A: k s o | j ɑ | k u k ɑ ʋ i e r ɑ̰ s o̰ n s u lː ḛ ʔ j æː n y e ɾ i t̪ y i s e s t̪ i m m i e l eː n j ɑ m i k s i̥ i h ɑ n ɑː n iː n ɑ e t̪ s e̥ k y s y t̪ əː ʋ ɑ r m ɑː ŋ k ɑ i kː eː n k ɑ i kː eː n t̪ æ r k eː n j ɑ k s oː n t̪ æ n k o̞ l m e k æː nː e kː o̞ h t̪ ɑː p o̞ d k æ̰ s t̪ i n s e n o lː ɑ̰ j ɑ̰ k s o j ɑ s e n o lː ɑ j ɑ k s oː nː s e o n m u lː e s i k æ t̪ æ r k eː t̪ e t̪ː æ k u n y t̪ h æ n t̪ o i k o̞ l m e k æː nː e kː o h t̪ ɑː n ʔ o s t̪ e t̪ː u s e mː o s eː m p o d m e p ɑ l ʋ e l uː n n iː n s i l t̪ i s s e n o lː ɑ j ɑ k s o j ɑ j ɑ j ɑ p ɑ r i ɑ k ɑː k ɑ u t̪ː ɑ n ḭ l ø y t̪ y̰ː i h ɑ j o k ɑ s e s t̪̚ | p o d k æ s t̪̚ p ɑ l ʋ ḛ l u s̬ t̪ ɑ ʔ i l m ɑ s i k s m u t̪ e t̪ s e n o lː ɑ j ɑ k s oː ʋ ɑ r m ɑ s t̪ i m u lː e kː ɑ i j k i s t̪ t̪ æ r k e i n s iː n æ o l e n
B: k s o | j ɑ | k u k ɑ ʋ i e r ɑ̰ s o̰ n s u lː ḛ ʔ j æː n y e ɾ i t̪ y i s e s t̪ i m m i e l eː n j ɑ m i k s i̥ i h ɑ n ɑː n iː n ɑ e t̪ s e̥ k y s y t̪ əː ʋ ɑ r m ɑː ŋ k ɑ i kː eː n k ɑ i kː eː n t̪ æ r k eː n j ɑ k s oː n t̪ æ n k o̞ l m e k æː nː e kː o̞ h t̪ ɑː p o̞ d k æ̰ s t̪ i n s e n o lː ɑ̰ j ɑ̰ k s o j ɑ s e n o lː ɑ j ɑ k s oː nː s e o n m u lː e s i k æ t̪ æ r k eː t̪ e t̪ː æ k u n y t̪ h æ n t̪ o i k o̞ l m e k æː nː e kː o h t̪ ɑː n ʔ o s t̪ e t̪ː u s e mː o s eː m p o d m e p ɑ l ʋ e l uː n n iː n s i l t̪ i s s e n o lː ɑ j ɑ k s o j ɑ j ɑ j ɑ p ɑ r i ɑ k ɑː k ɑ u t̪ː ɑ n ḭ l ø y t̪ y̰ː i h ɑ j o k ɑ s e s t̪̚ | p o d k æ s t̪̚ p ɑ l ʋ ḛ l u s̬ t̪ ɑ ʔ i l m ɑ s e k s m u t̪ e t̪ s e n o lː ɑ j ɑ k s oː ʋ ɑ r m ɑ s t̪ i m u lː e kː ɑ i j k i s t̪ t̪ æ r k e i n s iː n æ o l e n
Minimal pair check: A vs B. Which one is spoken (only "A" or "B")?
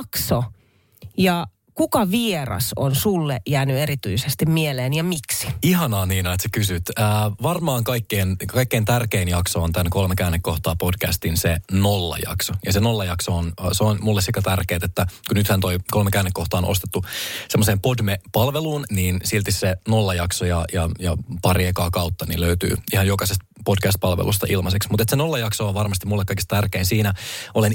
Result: B